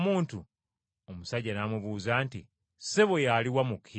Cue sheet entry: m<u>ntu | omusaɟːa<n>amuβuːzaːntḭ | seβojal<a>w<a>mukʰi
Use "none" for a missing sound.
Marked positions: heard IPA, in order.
uː, n, i, a

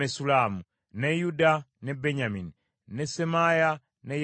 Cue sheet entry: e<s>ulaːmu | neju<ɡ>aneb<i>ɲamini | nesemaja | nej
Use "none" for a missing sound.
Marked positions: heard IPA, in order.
s, d, e

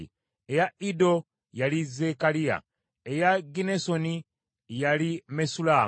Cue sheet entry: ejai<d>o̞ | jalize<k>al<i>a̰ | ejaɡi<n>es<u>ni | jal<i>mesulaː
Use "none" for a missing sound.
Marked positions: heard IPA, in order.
d, k, i, n, o, i

